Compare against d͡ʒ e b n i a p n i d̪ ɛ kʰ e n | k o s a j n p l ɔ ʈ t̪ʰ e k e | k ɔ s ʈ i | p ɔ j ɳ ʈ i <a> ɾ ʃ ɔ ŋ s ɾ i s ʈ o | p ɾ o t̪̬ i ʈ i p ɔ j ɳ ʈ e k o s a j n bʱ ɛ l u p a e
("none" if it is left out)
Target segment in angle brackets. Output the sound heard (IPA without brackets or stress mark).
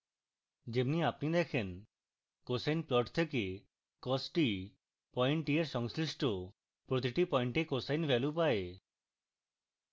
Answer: e